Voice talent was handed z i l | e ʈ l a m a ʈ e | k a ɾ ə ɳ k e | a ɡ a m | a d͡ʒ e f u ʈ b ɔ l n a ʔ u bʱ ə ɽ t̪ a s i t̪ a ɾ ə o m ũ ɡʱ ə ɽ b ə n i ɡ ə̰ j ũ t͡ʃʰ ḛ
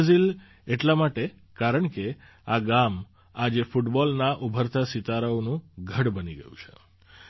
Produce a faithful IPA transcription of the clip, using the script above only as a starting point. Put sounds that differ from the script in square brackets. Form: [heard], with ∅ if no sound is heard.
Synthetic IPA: z i l | e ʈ l a m a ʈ e | k a ɾ ə ɳ k e | a ɡ a m | a d͡ʒ e f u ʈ b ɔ l n a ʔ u bʱ ə [ɾ] t̪ a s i t̪ a ɾ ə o [n] ũ ɡʱ ə ɽ b ə n i ɡ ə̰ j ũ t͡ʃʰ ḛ